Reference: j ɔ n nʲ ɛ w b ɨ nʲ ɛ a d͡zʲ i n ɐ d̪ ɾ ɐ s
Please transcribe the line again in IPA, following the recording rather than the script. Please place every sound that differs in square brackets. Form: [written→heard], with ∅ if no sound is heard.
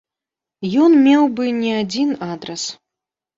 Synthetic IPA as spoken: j ɔ n [nʲ→mʲ] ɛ w b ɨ nʲ ɛ a d͡zʲ i n [ɐ→a] d̪ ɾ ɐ s